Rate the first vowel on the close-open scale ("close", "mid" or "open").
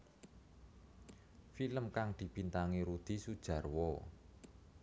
close